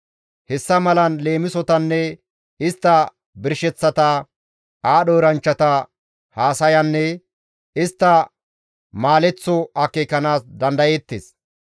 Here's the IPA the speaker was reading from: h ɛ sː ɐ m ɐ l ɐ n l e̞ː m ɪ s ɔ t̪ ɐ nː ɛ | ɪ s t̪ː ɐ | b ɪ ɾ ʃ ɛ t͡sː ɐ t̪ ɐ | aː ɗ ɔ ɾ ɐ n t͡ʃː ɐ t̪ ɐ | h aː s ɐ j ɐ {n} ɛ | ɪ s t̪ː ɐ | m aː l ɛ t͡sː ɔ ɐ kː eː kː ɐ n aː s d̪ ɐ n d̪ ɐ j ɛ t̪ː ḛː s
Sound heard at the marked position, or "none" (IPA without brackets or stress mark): nː